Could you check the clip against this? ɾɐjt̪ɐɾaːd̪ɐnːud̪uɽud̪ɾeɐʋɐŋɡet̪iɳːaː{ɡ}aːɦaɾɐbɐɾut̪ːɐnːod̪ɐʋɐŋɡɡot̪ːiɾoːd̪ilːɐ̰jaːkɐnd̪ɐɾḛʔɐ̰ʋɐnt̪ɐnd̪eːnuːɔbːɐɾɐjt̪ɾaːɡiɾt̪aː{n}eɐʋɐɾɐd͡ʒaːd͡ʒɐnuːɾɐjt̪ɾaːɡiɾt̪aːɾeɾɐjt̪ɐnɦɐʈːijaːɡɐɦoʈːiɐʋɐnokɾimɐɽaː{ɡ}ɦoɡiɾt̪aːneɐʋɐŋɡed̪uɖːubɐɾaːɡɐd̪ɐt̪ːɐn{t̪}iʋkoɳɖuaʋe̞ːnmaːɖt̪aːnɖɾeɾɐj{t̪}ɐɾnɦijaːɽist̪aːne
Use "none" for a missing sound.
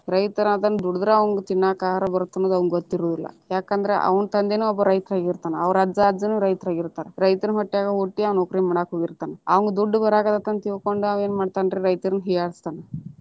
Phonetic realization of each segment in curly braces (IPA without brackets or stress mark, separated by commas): k, n, k, t̪, t̪